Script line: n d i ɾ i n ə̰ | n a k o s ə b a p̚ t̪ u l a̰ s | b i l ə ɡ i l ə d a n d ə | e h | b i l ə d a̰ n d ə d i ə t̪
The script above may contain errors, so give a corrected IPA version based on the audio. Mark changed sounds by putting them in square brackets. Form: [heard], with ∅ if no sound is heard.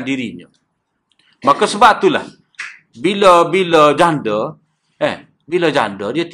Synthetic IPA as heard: n d i ɾ i [ɲ] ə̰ | [m] a k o s ə b a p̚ t̪ u l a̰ [h] | b i l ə [b] i l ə [d͡ʒ] a n d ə | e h | b i l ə [d͡ʒ] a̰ n d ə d i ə t̪